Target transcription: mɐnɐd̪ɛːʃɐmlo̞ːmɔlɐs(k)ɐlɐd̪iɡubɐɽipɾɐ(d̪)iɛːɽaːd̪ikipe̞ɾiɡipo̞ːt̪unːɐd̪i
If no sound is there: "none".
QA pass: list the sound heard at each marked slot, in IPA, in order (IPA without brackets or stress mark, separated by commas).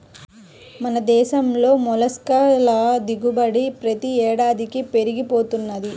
k, t̪